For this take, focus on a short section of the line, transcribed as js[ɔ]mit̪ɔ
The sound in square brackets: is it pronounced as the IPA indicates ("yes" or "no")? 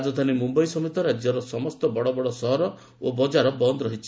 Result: yes